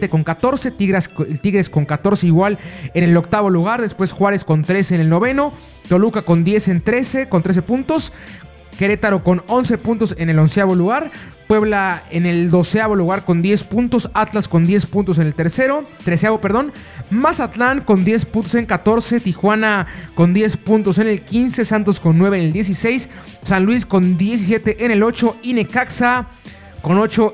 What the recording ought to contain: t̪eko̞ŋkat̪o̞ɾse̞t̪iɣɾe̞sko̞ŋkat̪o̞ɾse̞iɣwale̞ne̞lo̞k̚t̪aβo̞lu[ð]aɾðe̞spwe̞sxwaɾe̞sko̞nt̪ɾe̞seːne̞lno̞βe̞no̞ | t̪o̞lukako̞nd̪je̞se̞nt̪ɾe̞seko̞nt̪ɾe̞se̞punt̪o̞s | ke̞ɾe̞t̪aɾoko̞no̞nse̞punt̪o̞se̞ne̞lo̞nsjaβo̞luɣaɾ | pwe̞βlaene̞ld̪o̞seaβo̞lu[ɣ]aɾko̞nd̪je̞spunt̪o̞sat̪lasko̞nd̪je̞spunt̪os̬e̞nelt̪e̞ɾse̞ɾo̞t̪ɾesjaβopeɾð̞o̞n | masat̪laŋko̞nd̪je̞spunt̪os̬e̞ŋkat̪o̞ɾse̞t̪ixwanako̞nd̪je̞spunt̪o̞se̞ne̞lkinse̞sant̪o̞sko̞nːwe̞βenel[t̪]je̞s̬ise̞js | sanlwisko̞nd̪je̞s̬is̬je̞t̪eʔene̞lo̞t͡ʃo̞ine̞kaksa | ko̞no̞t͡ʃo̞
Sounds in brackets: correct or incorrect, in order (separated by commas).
incorrect, correct, incorrect